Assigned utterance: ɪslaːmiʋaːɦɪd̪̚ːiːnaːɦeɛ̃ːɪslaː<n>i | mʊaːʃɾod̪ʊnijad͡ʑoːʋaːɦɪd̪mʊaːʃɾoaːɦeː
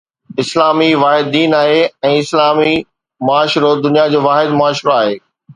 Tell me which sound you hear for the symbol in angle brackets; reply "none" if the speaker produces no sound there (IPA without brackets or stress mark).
m